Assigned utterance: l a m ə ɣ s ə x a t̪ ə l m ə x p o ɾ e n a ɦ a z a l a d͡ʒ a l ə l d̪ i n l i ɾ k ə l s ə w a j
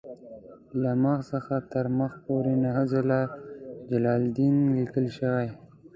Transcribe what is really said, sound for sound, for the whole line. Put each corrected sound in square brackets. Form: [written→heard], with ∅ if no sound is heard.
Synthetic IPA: l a m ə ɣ s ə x a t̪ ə [l→ɾ] m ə x p o ɾ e n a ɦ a z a l a d͡ʒ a l [ə→ɑ] l d̪ i n l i [ɾ→∅] k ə l [s→ʃ] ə w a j

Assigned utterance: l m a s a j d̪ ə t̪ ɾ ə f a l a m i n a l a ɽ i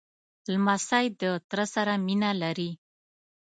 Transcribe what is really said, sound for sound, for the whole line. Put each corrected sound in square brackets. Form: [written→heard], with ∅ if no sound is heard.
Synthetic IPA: l m a s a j d̪ ə t̪ ɾ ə [f→s] a [l→ɾ] a m i n a l a [ɽ→ɾ] i

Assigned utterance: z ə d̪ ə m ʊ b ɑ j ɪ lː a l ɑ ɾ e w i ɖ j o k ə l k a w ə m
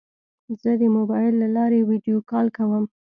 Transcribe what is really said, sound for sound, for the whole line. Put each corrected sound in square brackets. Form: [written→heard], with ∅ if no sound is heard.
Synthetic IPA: z ə d̪ ə m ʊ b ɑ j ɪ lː a l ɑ ɾ e w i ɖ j o k [ə→ɑ] l k a w ə m

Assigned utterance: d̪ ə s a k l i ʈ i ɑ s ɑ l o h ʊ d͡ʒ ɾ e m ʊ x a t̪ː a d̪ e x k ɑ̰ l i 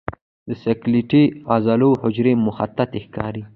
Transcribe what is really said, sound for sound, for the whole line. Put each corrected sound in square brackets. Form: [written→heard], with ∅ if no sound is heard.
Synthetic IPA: d̪ ə s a k l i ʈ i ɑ [s→z] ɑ l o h ʊ d͡ʒ ɾ e m ʊ x a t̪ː a [d̪→t̪] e x k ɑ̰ [l→ɾ] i

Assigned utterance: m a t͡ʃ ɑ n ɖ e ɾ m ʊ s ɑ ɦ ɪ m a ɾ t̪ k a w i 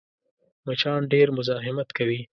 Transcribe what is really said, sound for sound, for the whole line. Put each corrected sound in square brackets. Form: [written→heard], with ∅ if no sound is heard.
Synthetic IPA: m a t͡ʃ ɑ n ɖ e ɾ m ʊ [s→z] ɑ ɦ ɪ m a [ɾ→∅] t̪ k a w i

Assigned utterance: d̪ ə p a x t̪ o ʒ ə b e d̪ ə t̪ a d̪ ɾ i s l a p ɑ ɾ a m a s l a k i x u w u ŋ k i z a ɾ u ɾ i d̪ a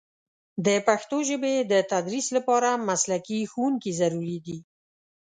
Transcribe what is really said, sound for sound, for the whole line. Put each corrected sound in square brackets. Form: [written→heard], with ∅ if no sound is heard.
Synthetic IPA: d̪ ə p a x t̪ o ʒ ə b e d̪ ə t̪ a d̪ ɾ i s l a p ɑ ɾ a m a s l a k i x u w u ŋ k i z a ɾ u ɾ i d̪ [a→i]

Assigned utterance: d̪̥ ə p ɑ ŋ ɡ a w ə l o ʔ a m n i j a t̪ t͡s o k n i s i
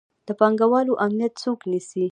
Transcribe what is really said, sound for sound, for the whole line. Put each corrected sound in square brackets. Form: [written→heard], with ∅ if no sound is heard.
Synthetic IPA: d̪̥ ə p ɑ ŋ ɡ a w [ə→ɑ] l o ʔ a m n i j a t̪ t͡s o k n i s i

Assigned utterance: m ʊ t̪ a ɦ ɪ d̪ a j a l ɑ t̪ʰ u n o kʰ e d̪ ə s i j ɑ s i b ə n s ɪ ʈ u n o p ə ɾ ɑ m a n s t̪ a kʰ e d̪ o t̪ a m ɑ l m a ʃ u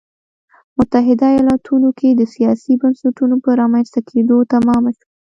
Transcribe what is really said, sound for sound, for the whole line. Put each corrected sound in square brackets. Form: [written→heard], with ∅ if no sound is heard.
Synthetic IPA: m ʊ t̪ a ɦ ɪ d̪ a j [a→ɑ] l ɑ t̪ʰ u n o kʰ e d̪ ə s i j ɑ s i b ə n s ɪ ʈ u n o p ə ɾ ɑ m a n s t̪ a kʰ e d̪ o t̪ a m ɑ [l→∅] m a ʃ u

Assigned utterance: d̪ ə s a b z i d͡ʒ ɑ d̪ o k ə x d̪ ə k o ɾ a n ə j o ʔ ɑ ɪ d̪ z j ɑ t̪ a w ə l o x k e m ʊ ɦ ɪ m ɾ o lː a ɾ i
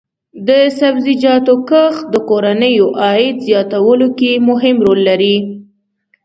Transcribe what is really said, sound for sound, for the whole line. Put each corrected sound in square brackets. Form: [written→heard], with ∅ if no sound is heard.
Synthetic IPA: d̪ ə s a b z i d͡ʒ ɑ [d̪→t̪] o k ə x d̪ ə k o ɾ a n ə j o ʔ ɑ ɪ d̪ z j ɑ t̪ a w ə l o [x→∅] k e m ʊ ɦ ɪ m ɾ o lː a ɾ i

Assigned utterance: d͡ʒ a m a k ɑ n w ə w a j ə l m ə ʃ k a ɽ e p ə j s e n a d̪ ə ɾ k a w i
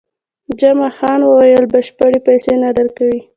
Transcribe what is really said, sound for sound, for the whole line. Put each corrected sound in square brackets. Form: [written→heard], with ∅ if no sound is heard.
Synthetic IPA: d͡ʒ a m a [k→x] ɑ n w ə w a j ə l [m→b] ə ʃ [k→p] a ɽ e p [ə→a] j s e n a d̪ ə ɾ k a w i

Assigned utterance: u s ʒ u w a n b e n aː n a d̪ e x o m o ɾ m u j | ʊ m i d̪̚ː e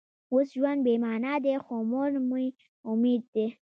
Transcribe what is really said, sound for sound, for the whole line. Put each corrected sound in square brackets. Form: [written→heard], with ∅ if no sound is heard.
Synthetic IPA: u s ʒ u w a n b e [n→m] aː n a d̪ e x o m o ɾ m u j | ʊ m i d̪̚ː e

